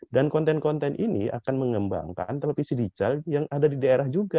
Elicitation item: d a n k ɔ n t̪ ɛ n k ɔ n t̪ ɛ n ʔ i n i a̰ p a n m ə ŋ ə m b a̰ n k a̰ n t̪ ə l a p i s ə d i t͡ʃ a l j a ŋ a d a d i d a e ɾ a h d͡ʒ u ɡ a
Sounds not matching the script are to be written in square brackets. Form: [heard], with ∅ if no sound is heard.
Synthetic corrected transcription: d a n k ɔ n t̪ ɛ n k ɔ n t̪ ɛ n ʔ i n i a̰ [k] a n m ə ŋ ə m b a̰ [ŋ] k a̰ n t̪ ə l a p i s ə d i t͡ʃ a l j a ŋ a d a d i d a e ɾ a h d͡ʒ u ɡ a